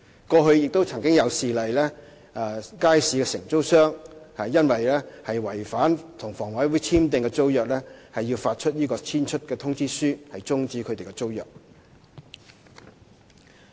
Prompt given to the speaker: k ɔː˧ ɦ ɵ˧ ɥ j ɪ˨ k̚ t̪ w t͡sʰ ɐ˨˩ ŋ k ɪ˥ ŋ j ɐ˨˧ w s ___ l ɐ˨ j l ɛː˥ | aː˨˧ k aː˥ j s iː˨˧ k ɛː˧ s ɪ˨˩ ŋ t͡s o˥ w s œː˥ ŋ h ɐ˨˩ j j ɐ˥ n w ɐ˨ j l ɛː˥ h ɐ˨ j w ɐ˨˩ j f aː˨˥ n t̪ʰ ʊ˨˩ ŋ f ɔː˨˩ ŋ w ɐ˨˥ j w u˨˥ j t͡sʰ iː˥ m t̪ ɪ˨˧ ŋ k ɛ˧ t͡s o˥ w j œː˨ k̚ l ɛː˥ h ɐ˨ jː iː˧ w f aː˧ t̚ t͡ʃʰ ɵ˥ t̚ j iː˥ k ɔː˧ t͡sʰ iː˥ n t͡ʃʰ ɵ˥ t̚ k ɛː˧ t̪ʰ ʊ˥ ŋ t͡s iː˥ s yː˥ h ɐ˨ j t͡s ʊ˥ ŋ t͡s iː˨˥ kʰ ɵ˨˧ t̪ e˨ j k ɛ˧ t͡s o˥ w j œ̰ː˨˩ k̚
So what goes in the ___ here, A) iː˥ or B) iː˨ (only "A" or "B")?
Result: B